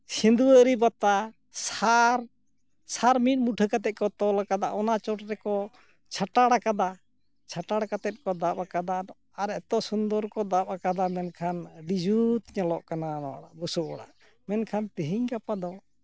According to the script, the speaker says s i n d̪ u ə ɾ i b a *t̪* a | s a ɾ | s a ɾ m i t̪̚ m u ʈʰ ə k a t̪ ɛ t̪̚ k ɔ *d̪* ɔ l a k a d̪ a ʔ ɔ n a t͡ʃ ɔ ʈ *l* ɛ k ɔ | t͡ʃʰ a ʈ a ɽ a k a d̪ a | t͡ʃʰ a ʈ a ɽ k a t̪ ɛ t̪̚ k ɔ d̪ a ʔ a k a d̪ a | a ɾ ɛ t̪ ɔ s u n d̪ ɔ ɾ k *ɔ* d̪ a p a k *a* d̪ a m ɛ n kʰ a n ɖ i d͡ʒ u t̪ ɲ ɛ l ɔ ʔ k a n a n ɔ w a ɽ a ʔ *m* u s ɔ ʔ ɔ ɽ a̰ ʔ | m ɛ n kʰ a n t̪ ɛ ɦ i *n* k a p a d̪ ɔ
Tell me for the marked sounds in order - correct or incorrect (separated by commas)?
correct, incorrect, incorrect, correct, correct, incorrect, incorrect